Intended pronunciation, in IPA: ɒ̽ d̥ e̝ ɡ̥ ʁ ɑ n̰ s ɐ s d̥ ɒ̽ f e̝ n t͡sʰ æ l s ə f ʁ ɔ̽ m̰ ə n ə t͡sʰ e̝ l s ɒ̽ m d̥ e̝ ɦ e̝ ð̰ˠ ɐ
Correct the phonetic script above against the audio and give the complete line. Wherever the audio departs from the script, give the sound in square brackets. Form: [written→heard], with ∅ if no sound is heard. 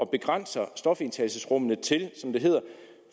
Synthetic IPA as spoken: ɒ̽ [d̥→b̥] e̝ ɡ̥ ʁ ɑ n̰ s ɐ s d̥ ɒ̽ f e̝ n t͡sʰ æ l s ə [f→s] ʁ ɔ̽ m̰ ə n ə t͡sʰ e̝ l s ɒ̽ m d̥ e̝ ɦ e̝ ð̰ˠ ɐ